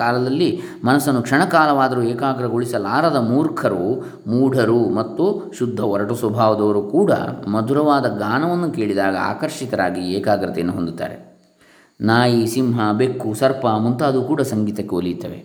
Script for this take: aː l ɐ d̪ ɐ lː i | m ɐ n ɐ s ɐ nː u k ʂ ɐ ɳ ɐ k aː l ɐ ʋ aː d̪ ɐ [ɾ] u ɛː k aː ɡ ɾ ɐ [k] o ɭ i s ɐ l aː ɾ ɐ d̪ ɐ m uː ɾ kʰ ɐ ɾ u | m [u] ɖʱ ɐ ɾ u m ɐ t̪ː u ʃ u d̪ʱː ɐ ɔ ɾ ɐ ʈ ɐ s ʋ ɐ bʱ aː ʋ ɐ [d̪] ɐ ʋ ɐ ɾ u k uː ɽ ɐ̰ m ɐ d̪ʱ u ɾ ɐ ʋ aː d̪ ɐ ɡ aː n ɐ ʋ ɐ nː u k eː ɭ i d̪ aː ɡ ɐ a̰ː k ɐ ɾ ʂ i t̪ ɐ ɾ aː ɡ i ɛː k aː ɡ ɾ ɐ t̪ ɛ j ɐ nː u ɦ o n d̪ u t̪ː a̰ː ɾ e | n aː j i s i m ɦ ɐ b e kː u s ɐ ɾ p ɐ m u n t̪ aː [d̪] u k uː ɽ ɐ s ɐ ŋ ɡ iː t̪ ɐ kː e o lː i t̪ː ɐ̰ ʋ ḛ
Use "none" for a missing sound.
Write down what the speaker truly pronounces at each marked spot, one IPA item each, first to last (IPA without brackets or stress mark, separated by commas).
ɾ, ɡ, uː, d̪, d̪